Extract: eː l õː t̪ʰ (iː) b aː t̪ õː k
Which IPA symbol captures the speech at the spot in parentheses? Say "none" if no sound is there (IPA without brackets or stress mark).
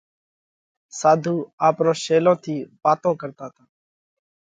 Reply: iː